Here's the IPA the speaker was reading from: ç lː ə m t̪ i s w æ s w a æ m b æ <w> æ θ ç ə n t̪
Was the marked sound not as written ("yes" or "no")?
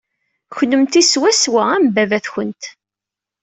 yes